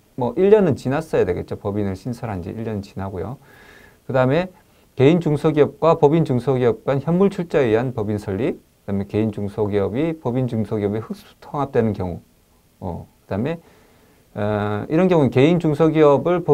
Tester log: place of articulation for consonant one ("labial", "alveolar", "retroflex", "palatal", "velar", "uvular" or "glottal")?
labial